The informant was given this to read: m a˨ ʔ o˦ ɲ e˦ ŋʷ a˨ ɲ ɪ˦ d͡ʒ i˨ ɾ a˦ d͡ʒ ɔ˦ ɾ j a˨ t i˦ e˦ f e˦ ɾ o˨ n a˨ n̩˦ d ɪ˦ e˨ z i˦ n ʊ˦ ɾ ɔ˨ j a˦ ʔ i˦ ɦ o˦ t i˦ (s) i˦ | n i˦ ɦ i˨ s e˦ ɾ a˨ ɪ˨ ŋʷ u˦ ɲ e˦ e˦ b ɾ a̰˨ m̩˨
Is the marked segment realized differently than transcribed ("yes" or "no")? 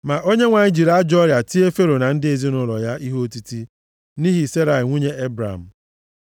yes